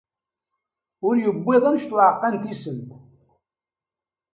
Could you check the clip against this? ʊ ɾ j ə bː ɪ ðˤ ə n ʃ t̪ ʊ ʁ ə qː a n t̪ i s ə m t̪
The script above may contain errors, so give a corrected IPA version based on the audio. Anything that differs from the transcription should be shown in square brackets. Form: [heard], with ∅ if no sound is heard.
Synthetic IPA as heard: ʊ ɾ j ə bː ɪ ðˤ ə n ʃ t̪ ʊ [ʕ] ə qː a n t̪ i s ə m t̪